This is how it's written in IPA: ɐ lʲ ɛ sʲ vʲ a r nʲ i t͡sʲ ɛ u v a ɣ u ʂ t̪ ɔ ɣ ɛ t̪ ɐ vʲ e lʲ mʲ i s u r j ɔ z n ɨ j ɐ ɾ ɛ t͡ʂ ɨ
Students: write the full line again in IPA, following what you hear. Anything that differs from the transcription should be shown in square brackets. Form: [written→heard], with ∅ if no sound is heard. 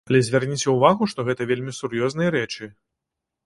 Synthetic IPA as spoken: ɐ lʲ ɛ [sʲ→zʲ] vʲ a r nʲ i t͡sʲ ɛ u v a ɣ u ʂ t̪ ɔ ɣ ɛ t̪ ɐ vʲ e lʲ mʲ i s u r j ɔ z n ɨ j ɐ ɾ ɛ t͡ʂ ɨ